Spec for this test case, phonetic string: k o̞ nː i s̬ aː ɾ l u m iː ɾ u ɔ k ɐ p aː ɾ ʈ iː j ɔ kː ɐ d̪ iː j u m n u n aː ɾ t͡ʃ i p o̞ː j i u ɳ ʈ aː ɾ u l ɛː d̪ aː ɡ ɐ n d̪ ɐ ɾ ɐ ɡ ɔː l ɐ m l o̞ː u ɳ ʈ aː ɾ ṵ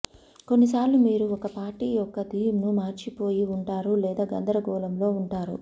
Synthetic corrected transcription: k o̞ nː i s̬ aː ɾ l u m iː ɾ u ɔ k ɐ p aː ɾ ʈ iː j ɔ kː ɐ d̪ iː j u m n u m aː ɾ t͡ʃ i p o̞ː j i u ɳ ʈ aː ɾ u l ɛː d̪ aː ɡ ɐ n d̪ ɐ ɾ ɐ ɡ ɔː l ɐ m l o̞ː u ɳ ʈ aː ɾ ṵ

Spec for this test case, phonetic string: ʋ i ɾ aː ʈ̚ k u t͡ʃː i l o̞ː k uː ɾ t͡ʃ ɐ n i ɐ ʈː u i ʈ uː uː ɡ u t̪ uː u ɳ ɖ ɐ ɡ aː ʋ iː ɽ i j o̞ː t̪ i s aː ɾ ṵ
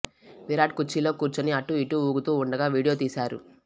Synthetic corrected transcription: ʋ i ɾ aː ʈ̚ k u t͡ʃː i l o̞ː k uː ɾ t͡ʃ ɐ n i ɐ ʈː u i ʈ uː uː ɡ u t̪ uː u ɳ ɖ ɐ ɡ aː ʋ iː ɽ i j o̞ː t̪ iː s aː ɾ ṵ

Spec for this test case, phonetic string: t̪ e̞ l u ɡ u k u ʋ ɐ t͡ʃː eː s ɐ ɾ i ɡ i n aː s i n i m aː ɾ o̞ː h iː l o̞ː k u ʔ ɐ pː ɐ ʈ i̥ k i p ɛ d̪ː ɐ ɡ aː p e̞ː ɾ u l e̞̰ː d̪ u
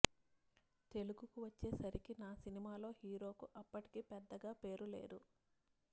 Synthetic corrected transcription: t̪ e̞ l u ɡ u k u ʋ ɐ t͡ʃː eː s ɐ ɾ i k i n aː s i n i m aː l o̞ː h iː ɾ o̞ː k u ʔ ɐ pː ɐ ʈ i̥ k i p ɛ d̪ː ɐ ɡ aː p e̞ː ɾ u l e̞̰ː d̪ u

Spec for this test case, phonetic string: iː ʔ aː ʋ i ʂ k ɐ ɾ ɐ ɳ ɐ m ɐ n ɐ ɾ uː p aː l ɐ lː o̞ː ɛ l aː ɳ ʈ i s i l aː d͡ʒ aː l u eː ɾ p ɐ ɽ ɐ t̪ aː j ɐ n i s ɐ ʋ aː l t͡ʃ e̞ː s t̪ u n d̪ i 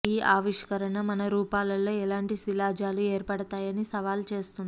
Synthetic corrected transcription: iː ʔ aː ʋ i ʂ k ɐ ɾ ɐ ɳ ɐ m ɐ n ɐ ɾ uː p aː l ɐ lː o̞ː ɛ l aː ɳ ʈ i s i l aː d͡ʒ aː l u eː ɾ p ɐ ɽ ɐ t̪ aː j ɐ n i s ɐ ʋ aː l t͡ʃ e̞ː s t̪ u n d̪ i

